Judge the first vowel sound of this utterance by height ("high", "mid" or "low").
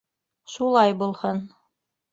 high